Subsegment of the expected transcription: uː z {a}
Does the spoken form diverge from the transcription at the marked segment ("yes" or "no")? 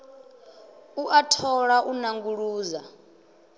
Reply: no